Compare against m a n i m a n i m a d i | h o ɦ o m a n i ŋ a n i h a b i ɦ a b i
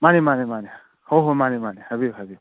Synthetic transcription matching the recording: m a n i m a n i m a n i | h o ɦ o m a n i m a n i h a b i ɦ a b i